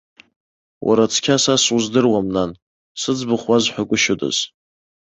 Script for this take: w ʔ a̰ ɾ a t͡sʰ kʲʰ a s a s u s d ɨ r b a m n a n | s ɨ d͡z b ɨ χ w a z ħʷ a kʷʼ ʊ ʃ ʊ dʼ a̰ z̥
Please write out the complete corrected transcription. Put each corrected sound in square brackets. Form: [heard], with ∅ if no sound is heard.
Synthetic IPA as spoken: w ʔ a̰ ɾ a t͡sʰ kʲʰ a s a s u [z] d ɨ r [w] a m n a n | s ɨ d͡z b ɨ χ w a z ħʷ a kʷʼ ʊ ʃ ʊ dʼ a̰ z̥